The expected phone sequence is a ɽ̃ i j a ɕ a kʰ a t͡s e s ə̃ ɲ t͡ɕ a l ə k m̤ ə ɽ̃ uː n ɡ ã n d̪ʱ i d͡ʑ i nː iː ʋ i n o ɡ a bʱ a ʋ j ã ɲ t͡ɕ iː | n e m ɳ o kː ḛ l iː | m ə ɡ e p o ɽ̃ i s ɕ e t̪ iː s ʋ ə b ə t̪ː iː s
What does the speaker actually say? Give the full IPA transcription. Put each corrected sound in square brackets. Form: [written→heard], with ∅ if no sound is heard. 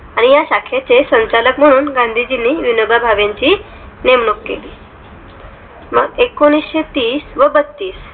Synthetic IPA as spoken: a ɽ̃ i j a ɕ a kʰ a t͡s e s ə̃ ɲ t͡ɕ a l ə k m̤ ə ɽ̃ uː n ɡ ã n d̪ʱ i d͡ʑ i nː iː ʋ i n o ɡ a bʱ a ʋ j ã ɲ t͡ɕ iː | n e m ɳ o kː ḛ l iː | m ə ɡ e [p→k] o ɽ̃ i s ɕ e t̪ iː s ʋ ə b ə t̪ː iː s